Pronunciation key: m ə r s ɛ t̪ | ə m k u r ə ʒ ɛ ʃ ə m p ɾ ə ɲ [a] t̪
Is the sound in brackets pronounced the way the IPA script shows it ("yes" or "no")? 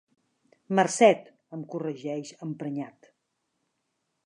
yes